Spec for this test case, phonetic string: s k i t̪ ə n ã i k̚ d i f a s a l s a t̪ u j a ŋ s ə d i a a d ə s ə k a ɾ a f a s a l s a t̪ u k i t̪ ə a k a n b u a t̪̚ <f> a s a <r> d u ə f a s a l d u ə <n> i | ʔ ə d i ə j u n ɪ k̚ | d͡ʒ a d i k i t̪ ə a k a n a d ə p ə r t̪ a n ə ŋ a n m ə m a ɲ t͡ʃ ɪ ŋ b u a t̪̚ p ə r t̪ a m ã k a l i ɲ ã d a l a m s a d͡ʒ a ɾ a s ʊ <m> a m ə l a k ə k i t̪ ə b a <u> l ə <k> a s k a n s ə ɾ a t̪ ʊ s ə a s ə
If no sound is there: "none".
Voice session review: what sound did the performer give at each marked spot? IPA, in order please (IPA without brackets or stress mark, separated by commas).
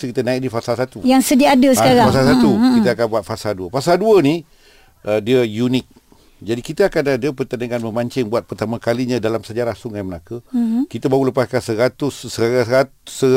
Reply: f, l, n, ŋ, u, p